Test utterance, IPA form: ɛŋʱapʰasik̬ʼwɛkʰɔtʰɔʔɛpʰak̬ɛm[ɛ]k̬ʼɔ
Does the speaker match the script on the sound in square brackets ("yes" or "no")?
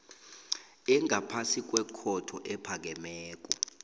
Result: no